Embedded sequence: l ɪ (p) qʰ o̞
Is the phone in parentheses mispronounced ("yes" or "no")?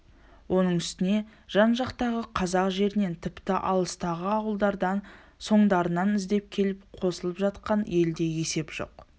no